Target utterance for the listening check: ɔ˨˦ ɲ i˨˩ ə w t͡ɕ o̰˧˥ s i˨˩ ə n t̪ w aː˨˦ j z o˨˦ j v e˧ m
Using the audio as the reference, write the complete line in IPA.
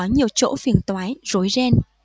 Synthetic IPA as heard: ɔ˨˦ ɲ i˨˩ ə w t͡ɕ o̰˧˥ f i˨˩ ə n t̪ w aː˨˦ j z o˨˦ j z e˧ n